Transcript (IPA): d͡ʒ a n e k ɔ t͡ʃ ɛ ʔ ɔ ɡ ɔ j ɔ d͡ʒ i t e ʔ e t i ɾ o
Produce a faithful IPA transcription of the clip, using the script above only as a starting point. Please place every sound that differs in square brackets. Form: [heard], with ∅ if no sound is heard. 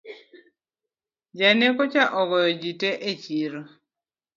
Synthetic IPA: d͡ʒ a n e k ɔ t͡ʃ [a] ʔ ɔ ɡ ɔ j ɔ d͡ʒ i t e ʔ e [t͡ʃ] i ɾ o